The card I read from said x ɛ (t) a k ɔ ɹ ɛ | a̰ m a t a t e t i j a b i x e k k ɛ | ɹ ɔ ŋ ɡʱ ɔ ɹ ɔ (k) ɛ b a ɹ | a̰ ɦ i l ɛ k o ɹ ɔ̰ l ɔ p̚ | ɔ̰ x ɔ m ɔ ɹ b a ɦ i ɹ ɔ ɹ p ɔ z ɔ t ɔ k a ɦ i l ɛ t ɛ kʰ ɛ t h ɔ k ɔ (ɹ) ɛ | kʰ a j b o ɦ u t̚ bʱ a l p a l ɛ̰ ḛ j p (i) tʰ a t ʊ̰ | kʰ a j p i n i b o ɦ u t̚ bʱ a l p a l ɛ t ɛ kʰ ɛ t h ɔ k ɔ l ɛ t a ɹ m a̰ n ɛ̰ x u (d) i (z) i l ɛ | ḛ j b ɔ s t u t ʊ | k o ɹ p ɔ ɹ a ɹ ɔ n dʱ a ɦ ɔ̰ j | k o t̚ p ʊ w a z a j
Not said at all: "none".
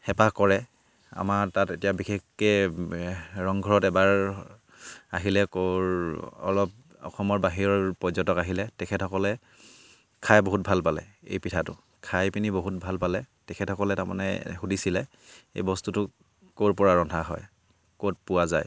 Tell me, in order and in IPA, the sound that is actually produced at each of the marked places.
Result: p, t, l, i, d, s

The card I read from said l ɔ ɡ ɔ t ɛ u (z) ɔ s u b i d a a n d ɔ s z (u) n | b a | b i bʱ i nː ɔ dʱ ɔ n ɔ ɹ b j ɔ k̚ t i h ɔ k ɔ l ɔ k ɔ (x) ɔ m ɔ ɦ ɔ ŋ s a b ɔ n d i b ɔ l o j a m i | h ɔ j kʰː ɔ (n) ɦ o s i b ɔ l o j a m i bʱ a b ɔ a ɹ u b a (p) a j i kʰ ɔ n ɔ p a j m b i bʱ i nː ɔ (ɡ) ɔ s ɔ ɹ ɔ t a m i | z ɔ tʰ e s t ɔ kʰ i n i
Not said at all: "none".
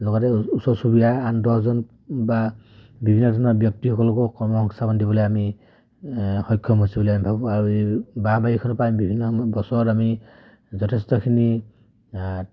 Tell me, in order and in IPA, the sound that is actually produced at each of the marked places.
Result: s, ɔ, k, m, b, b

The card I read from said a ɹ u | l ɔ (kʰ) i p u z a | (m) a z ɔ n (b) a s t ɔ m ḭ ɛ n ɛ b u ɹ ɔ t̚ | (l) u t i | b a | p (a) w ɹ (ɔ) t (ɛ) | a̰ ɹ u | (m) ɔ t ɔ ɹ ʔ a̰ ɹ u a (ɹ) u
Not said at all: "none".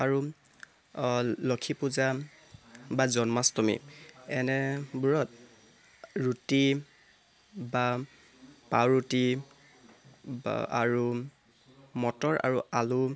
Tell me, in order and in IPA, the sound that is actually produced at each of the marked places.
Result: kʰ, b, m, ɹ, a, u, i, m, l

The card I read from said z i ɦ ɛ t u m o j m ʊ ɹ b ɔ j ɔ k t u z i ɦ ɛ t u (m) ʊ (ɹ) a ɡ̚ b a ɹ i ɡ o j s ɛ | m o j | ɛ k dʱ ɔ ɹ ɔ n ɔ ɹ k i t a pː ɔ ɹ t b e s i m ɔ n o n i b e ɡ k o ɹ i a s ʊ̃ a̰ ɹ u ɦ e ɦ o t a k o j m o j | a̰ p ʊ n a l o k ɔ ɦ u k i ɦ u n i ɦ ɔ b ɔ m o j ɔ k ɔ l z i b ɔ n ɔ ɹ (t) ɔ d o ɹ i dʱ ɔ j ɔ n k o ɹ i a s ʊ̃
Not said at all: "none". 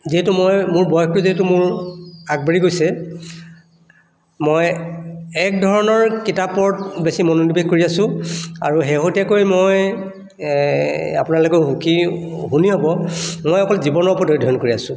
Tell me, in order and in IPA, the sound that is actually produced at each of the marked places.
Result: m, ɹ, p

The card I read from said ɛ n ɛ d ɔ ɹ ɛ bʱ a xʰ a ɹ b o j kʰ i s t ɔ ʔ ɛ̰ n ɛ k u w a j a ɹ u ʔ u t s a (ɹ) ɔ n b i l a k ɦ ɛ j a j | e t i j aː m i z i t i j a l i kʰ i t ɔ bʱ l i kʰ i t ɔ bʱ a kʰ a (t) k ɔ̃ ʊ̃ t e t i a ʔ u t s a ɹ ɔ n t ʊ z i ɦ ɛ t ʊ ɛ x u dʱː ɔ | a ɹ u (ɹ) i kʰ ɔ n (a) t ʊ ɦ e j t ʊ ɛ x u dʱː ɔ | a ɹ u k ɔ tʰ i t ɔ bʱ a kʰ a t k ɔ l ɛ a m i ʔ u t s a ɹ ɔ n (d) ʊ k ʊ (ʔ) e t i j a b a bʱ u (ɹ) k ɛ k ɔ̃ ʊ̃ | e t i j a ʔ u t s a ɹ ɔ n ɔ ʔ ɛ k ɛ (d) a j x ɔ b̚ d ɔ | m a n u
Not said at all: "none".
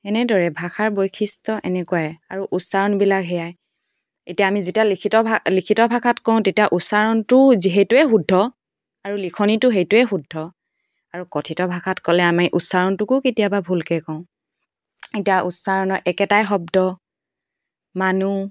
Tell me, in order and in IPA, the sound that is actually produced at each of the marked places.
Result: ɹ, t, l, i, t, k, l, t

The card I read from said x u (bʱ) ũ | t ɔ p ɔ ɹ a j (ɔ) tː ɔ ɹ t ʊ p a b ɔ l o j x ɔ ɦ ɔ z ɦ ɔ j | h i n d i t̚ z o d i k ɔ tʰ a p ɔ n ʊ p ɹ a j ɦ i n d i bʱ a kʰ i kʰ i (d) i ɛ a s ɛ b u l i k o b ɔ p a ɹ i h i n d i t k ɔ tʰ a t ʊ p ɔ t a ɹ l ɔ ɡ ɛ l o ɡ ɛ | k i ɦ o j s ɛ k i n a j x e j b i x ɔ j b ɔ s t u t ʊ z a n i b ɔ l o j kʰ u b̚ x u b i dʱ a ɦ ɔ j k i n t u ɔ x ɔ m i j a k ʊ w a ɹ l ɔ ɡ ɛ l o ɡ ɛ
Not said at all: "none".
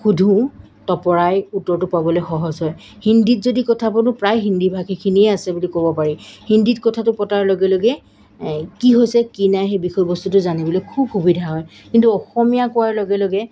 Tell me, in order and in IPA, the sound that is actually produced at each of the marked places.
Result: dʱ, u, n

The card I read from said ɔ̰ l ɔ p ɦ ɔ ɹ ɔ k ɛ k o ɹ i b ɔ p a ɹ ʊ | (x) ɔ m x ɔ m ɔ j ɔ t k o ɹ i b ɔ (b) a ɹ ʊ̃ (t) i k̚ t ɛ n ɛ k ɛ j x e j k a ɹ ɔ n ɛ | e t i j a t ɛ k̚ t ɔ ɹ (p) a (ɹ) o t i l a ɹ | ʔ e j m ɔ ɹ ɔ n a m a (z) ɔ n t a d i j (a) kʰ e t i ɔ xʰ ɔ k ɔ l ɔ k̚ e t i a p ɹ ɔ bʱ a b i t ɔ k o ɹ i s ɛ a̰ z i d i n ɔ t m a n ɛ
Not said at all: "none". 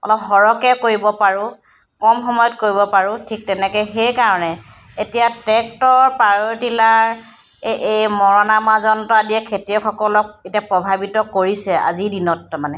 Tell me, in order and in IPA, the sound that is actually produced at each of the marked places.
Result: k, p, tʰ, p, ɹ, z, ɛ

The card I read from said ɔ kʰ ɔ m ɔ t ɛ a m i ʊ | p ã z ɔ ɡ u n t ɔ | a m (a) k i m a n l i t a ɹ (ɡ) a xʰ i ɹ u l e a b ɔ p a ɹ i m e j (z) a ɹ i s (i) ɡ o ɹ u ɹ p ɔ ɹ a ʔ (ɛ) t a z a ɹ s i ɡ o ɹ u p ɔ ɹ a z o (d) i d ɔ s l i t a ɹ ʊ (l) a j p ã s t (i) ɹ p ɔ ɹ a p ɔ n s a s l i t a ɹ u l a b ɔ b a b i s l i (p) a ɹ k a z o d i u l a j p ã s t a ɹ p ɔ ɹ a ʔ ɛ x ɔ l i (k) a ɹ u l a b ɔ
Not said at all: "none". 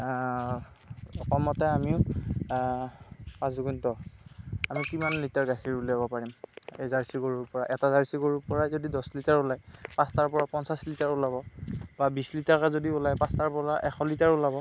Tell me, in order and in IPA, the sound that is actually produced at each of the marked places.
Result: i, ɡ, z, i, ɛ, d, l, a, t, t

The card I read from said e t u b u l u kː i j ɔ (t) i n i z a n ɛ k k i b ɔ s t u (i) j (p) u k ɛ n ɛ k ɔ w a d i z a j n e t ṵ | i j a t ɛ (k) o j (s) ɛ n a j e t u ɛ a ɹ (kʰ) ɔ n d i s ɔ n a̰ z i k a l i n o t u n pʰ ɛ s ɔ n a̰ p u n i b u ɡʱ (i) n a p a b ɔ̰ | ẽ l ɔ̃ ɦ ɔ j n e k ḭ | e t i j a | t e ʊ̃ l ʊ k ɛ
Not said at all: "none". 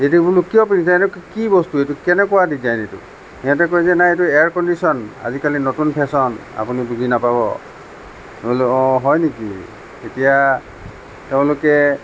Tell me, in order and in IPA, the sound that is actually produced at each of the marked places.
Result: p, e, t, k, z, k, i

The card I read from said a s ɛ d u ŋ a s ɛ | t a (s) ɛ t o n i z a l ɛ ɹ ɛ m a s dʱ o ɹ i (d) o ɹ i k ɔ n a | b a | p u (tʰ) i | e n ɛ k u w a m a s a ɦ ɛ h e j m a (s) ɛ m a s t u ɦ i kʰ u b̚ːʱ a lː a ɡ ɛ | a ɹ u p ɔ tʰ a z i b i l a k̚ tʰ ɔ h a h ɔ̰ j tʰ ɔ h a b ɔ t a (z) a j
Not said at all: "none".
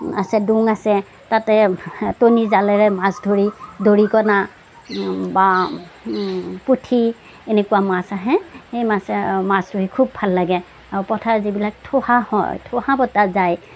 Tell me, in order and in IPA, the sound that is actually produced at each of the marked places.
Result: t, d, tʰ, s, z

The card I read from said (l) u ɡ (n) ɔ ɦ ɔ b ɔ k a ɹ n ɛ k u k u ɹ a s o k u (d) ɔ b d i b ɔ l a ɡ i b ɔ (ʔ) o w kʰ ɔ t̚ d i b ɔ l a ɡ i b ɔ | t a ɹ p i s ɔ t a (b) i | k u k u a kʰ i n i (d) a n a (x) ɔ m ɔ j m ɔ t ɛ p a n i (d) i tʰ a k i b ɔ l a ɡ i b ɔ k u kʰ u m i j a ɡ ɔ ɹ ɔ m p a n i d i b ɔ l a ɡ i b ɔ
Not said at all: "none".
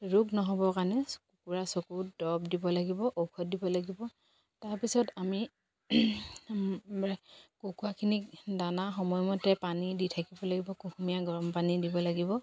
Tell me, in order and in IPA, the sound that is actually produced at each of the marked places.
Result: ɹ, n, d, ʔ, m, d, x, d

